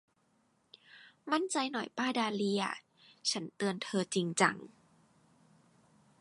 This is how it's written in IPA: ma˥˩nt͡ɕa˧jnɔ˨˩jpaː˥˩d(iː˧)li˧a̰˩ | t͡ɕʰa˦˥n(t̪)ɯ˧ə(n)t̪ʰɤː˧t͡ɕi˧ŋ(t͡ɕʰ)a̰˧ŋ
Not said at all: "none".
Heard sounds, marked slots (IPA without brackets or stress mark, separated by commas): aː˧, t̪, n, t͡ɕ